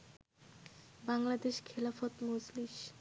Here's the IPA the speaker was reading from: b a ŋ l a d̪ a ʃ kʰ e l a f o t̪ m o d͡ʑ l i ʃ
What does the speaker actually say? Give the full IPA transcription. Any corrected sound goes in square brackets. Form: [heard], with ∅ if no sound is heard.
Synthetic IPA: b a ŋ l a d̪ [e] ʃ kʰ e l a f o t̪ m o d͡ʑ l i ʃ